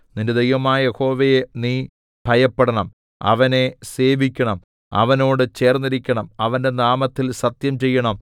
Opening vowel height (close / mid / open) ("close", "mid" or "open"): close